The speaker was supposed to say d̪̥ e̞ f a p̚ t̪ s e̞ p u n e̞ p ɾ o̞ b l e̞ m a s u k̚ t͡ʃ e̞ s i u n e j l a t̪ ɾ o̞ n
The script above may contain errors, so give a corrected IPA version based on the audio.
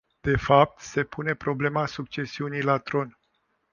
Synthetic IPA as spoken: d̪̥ e̞ f a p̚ t̪ s e̞ p u n e̞ p ɾ o̞ b l e̞ m a s u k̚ t͡ʃ e̞ s i u n i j l a t̪ ɾ o̞ n